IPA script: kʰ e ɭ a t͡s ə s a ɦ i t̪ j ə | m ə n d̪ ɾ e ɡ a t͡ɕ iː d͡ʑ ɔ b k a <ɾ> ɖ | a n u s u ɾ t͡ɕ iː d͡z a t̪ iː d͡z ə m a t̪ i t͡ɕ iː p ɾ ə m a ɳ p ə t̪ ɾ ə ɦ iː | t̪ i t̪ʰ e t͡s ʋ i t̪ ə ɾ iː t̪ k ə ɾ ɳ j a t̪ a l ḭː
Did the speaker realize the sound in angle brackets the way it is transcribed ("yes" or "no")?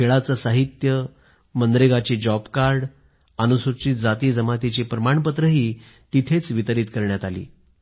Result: yes